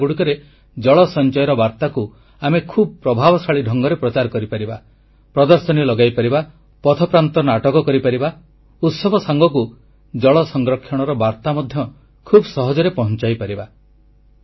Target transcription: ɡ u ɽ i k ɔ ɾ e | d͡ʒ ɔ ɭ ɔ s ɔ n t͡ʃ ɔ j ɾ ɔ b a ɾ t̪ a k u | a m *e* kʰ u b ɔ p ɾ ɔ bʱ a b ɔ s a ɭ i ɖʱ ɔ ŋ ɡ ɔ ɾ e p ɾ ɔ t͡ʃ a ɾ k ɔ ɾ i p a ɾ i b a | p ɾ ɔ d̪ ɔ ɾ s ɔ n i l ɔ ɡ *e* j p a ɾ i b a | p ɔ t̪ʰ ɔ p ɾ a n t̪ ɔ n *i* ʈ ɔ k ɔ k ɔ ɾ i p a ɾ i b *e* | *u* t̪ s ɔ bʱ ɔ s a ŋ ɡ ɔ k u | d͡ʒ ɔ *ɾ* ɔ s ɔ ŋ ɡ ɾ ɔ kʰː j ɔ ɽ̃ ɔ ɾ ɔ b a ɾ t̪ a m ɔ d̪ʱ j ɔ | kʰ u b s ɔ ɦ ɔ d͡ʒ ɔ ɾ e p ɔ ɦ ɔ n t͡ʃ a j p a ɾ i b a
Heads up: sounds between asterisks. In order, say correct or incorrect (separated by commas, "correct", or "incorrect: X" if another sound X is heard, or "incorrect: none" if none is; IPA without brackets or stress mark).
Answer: correct, incorrect: a, incorrect: a, incorrect: a, correct, incorrect: ɭ